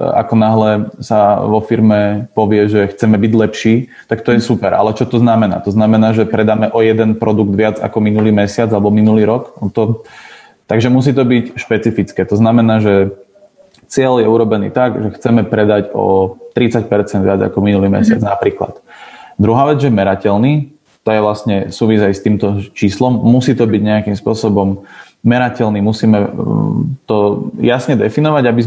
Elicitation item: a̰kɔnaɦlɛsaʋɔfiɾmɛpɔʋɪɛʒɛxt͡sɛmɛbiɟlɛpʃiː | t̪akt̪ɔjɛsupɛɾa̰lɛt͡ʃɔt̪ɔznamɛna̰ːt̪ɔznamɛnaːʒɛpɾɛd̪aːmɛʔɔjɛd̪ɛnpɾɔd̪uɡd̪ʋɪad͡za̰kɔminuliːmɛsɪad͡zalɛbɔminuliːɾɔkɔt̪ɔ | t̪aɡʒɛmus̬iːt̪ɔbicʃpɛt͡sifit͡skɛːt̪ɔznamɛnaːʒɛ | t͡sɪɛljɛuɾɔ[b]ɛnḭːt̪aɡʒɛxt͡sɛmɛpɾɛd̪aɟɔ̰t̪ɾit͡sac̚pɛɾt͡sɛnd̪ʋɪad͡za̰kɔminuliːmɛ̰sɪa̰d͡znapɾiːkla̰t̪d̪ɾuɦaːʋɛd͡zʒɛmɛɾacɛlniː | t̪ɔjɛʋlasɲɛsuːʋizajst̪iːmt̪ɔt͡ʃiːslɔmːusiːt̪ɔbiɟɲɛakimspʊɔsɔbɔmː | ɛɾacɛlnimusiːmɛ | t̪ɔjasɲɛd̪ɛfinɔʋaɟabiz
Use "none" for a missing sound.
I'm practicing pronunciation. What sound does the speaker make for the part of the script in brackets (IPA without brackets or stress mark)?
b